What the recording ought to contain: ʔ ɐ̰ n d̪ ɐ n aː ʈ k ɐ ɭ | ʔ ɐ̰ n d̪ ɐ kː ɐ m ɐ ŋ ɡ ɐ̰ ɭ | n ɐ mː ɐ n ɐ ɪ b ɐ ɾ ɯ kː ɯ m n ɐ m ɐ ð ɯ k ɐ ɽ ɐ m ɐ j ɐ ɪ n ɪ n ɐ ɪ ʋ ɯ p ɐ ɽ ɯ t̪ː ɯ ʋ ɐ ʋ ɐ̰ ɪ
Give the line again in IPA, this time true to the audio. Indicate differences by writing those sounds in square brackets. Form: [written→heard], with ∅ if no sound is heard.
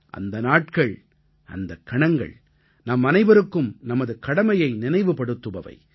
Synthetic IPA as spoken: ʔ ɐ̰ n d̪ ɐ n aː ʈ k ɐ ɭ | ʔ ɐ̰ n d̪ ɐ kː ɐ [m→ɳ] ɐ ŋ ɡ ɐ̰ ɭ | n ɐ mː ɐ n ɐ ɪ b ɐ ɾ ɯ kː ɯ m n ɐ m ɐ ð ɯ k ɐ ɽ ɐ m ɐ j ɐ ɪ n ɪ n ɐ ɪ ʋ ɯ p ɐ ɽ ɯ t̪ː ɯ ʋ ɐ ʋ ɐ̰ ɪ